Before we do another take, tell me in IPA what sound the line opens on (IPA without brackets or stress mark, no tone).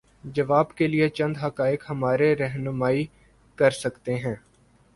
d͡ʒ